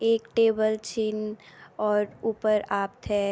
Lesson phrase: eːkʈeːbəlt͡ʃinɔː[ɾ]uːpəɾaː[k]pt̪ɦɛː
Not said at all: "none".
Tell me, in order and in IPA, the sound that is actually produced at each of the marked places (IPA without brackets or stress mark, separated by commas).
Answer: ɾ, none